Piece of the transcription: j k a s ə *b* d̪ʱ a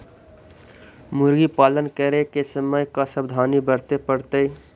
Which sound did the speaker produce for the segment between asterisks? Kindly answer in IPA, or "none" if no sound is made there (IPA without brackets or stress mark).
b